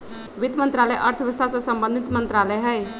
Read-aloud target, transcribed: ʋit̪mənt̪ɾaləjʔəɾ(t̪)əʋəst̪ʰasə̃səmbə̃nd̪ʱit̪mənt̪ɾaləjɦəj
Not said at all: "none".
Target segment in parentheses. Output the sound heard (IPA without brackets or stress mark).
t̪ʰ